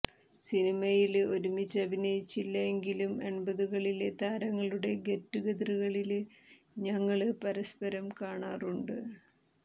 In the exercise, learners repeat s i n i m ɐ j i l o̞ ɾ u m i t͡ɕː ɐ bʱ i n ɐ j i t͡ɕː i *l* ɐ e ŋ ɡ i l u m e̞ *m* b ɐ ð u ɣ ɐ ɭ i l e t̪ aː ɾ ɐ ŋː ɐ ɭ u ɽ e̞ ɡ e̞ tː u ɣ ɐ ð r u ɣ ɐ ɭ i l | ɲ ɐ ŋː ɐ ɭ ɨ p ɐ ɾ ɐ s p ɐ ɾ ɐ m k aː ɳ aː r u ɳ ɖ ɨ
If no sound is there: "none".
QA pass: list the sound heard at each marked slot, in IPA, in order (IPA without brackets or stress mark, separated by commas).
lː, ɳ